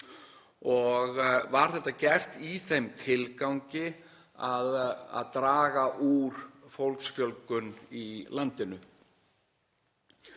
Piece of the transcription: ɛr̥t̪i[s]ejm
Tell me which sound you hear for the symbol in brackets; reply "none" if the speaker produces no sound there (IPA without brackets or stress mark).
θ